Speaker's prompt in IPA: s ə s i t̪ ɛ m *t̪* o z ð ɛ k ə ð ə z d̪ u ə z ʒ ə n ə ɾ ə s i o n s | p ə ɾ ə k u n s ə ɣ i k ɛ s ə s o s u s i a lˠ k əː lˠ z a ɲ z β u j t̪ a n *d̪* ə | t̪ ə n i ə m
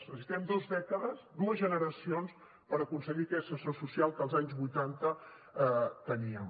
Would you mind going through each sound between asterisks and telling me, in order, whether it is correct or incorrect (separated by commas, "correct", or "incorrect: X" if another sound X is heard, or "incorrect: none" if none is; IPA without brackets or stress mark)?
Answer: incorrect: d̪, incorrect: t̪